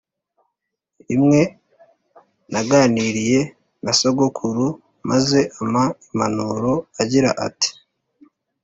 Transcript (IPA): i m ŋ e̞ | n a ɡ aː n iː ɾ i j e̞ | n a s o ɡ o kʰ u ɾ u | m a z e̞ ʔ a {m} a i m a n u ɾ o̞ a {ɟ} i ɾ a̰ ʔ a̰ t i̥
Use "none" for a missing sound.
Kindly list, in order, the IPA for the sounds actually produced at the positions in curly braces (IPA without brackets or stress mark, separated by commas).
m, ɟ